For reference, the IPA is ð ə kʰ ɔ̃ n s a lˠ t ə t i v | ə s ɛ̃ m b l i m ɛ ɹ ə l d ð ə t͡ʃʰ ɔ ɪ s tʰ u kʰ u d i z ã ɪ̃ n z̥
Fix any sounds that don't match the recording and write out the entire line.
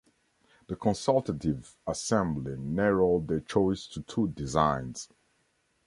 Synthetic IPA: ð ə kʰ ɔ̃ n s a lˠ t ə t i v | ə s ɛ̃ m b l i n ɛ ɹ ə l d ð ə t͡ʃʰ ɔ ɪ s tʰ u tʰ u d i z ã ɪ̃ n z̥